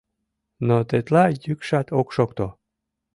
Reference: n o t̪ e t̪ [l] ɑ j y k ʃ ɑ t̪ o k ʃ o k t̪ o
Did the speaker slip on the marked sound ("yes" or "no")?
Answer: no